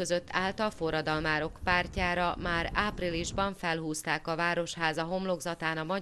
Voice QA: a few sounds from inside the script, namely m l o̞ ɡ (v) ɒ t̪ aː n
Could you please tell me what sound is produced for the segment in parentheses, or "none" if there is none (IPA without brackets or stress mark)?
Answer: z